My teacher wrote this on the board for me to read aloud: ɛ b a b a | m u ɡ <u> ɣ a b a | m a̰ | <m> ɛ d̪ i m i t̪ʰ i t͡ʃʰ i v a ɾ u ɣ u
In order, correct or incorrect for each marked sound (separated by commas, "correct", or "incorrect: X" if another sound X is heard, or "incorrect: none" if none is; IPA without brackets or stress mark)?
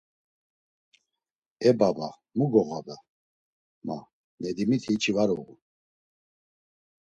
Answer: incorrect: ɔ, incorrect: n